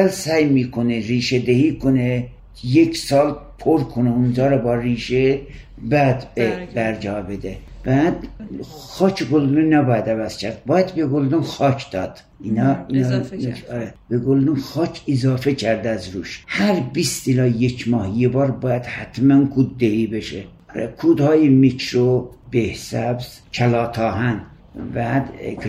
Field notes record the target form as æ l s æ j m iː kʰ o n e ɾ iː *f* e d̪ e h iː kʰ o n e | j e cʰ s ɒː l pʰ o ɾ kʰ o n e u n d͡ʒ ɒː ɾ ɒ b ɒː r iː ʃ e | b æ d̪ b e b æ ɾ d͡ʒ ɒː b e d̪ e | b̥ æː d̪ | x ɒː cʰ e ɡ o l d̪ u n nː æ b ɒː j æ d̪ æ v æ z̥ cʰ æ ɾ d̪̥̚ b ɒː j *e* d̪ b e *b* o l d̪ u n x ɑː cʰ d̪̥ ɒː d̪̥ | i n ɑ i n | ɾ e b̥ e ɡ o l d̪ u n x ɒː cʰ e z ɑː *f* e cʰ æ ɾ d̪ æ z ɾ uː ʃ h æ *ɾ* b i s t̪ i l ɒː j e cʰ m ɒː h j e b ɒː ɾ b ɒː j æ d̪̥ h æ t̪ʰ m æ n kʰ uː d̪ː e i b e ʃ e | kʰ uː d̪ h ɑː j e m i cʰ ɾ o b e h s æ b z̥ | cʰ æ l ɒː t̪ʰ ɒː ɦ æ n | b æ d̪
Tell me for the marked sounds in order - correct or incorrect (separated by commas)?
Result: incorrect, incorrect, incorrect, correct, correct